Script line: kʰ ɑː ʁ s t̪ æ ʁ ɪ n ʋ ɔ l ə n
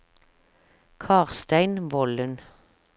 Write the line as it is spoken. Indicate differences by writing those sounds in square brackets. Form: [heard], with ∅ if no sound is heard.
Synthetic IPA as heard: kʰ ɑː ʁ s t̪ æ [∅] ɪ n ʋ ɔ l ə n